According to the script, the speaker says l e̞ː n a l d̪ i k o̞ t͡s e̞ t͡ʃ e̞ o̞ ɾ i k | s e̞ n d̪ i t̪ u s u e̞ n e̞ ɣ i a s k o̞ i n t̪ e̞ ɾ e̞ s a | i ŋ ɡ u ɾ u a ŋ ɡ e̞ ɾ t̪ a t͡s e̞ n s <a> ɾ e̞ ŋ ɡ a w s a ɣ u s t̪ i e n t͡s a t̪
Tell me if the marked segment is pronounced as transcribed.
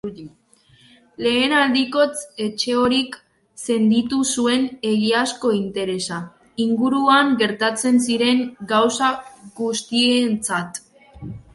no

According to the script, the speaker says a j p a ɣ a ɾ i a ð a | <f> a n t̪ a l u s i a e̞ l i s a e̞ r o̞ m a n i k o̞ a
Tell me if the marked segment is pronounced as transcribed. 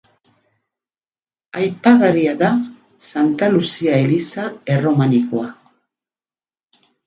no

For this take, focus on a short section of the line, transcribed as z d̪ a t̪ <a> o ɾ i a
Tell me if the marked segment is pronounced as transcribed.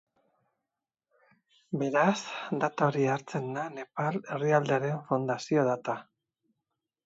yes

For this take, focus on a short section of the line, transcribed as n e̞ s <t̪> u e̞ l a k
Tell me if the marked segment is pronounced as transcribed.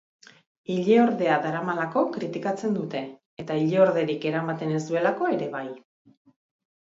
no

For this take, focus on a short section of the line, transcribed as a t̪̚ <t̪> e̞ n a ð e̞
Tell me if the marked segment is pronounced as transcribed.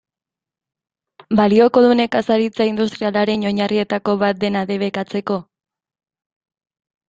no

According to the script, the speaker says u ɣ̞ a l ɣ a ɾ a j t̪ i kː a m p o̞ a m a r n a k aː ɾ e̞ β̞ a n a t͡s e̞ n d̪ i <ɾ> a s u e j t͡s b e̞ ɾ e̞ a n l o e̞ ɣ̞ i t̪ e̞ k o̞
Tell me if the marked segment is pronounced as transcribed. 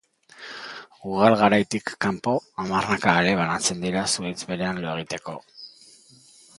yes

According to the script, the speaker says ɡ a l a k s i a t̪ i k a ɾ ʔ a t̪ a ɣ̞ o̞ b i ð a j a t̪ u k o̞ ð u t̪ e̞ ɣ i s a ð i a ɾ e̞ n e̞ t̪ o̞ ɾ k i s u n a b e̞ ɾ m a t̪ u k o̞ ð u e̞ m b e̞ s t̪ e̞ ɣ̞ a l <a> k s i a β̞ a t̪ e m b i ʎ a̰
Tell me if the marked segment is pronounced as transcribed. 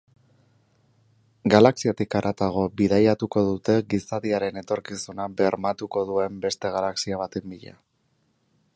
yes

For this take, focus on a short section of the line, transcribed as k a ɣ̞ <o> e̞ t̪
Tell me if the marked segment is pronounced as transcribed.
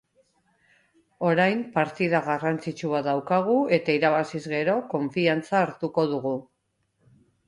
no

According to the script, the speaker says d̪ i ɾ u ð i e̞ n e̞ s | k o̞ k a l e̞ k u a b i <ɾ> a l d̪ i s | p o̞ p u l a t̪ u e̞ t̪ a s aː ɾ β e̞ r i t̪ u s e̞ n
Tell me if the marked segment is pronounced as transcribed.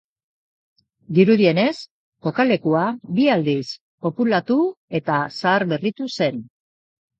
no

